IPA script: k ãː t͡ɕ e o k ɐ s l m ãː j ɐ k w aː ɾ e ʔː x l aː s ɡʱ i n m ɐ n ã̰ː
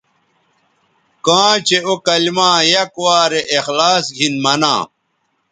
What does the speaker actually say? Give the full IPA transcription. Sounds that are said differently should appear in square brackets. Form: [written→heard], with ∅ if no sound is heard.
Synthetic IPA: k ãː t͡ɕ e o k ɐ [s→∅] l m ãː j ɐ k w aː ɾ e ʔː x l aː s ɡʱ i n m ɐ n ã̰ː